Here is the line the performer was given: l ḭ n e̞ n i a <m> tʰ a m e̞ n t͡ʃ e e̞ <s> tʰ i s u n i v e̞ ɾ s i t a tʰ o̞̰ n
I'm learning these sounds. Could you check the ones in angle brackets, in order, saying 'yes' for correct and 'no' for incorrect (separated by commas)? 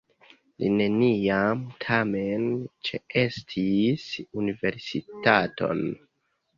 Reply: yes, yes